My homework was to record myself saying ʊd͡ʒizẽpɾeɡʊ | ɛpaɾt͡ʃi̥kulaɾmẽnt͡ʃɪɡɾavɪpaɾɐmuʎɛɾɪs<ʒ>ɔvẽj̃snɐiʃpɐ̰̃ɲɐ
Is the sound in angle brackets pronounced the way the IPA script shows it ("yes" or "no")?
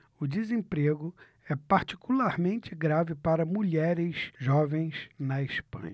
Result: yes